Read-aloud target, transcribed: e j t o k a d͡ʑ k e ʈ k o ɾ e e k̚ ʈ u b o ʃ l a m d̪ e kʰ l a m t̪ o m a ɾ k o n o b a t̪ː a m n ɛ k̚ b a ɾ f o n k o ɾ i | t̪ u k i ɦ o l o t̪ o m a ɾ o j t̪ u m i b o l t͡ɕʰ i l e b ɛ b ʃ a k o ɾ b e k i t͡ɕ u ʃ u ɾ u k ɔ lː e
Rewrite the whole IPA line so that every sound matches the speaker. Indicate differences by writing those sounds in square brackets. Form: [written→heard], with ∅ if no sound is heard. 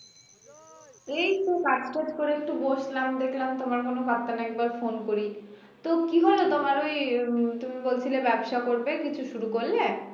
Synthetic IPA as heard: e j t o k a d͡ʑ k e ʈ k o ɾ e e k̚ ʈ u b o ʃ l a m d̪ e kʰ l a m t̪ o m a ɾ k o n o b a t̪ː a [m→∅] n ɛ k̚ b a ɾ f o n k o ɾ i | t̪ [u→o] k i ɦ o l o t̪ o m a ɾ o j t̪ u m i b o l t͡ɕʰ i l e b ɛ b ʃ a k o ɾ b e k i [t͡ɕ→t͡ɕʰ] u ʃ u ɾ u k [ɔ→o] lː e